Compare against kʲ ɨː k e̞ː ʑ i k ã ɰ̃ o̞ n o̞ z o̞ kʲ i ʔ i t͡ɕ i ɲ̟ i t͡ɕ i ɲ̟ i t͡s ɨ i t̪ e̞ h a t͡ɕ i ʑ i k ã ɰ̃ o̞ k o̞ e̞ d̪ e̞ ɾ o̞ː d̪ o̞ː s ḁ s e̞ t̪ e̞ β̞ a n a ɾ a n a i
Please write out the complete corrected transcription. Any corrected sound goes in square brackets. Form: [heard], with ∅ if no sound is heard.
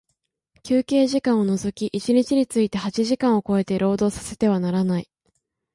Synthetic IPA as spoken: kʲ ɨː k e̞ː ʑ i k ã ɰ̃ o̞ n o̞ z o̞ kʲ i ʔ i t͡ɕ i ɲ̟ i t͡ɕ i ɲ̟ i t͡s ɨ i t̪ e̞ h a t͡ɕ i ʑ i k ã ɰ̃ o̞ k o̞ e̞ [t̪] e̞ ɾ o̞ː d̪ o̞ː s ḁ s e̞ t̪ e̞ β̞ a n a ɾ a n a i